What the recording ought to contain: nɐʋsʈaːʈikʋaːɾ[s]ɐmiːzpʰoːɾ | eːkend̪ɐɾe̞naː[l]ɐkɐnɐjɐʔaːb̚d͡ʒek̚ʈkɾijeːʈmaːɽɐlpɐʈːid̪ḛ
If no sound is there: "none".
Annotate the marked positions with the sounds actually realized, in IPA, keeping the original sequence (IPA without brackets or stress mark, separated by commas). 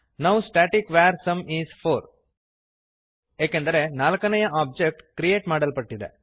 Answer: s, l